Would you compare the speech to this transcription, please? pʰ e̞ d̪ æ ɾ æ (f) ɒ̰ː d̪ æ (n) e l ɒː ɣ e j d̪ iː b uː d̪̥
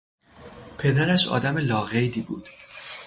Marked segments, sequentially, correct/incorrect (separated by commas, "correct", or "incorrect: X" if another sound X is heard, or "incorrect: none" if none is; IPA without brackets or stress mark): incorrect: ʃ, incorrect: m